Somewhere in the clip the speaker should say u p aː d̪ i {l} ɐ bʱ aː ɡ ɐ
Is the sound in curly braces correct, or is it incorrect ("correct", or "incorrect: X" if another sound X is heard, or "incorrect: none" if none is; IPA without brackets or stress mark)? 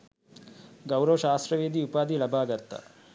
correct